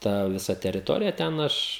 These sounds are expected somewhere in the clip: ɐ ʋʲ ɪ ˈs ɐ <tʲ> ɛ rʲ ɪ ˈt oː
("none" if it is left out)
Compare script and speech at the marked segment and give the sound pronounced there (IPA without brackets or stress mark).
tʲ